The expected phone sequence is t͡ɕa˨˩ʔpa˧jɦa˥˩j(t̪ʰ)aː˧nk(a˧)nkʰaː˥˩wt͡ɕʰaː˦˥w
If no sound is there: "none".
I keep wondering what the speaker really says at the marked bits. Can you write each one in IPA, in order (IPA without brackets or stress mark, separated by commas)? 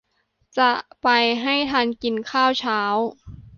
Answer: t̪ʰ, i˧